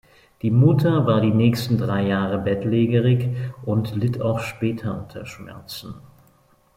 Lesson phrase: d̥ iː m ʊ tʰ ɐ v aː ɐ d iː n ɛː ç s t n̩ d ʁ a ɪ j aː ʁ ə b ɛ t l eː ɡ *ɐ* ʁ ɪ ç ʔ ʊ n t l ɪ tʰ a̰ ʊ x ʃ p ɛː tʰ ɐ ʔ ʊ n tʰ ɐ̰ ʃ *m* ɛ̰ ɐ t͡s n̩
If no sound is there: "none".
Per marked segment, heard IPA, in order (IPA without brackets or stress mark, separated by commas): ə, m